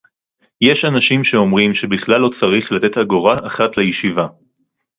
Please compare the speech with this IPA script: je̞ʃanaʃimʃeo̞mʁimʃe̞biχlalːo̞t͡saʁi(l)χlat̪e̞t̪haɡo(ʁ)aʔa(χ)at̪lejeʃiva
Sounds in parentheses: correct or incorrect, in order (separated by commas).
incorrect, correct, correct